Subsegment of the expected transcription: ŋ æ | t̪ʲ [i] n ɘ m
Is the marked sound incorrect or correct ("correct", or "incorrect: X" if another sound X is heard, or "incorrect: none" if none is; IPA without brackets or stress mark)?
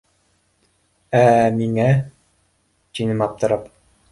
correct